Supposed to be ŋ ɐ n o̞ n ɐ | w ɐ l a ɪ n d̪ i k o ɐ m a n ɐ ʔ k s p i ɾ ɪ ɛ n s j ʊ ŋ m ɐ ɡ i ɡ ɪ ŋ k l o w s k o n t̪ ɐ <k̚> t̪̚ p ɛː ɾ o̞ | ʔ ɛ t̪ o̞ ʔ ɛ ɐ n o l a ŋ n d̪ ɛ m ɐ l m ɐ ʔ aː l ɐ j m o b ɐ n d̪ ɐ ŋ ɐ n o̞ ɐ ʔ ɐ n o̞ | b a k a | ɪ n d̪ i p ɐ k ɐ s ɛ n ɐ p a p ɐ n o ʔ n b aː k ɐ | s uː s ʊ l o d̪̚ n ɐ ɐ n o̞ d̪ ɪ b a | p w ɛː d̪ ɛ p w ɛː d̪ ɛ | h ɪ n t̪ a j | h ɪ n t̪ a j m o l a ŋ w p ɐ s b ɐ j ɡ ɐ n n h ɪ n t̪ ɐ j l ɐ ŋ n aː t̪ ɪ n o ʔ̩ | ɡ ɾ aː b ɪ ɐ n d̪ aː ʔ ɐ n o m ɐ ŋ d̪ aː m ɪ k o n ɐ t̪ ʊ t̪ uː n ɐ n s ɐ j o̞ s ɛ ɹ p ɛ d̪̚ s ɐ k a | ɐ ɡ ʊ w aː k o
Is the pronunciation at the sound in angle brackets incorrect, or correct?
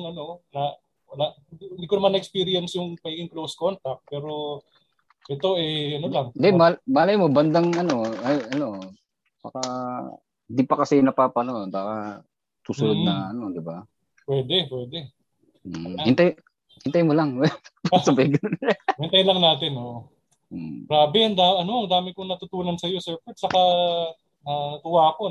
correct